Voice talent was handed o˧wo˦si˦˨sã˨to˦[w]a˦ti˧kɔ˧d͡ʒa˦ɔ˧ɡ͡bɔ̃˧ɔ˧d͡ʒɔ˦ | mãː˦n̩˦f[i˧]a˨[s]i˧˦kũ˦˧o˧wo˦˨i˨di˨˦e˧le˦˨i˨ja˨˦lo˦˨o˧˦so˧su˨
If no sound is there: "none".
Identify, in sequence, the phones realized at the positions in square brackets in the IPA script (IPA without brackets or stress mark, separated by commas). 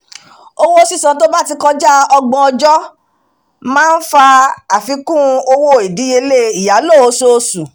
b, a˧, f